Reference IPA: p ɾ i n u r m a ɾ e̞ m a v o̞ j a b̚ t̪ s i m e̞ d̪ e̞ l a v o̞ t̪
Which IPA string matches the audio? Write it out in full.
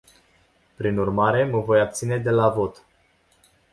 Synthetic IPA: p ɾ i n u r m a ɾ e̞ m ə v o̞ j a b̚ t̪ s i n e̞ d̪ e̞ l a v o̞ t̪